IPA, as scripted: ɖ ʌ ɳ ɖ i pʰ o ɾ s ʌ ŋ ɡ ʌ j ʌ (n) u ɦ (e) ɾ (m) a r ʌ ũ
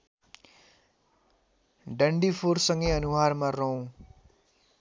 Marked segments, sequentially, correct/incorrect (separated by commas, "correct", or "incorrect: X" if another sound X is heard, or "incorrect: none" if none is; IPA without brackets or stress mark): correct, incorrect: a, correct